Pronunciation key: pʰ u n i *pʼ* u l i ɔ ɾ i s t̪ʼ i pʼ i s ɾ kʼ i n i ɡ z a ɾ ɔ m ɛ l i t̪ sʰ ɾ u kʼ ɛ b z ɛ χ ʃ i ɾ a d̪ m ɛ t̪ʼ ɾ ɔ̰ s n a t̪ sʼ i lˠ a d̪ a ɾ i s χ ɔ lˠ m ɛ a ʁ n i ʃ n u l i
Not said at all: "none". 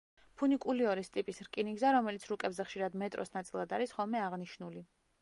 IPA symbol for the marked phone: kʼ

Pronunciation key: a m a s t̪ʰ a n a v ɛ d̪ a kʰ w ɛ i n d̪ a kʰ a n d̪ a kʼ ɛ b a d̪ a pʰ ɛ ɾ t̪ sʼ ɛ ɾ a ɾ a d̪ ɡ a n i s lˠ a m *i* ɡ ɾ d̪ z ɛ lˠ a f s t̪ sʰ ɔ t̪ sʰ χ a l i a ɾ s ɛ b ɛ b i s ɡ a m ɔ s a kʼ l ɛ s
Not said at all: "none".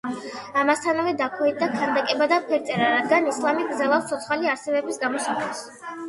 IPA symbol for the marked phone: i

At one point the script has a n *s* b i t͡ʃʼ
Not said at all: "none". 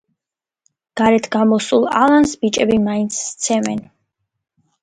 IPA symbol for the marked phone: s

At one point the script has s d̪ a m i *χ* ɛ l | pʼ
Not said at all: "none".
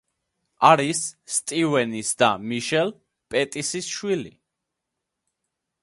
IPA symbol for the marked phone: ʃ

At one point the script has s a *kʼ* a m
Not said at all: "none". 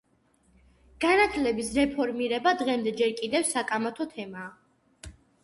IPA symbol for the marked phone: kʼ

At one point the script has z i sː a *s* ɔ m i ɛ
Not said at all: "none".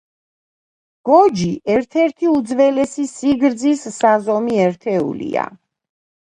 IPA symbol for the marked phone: z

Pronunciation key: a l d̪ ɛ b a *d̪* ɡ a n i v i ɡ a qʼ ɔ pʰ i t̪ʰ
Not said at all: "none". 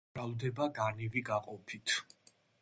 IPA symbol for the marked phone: none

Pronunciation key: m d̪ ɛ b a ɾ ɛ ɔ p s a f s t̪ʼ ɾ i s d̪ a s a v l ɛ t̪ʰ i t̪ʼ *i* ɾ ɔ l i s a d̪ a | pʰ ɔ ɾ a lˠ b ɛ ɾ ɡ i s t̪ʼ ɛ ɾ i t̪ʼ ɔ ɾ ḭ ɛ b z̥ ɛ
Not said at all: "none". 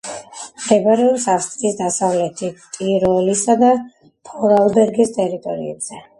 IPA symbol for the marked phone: i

